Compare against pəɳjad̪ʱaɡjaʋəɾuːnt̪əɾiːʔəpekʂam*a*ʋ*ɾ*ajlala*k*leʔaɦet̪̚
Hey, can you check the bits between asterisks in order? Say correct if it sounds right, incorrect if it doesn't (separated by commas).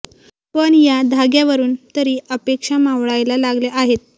correct, incorrect, incorrect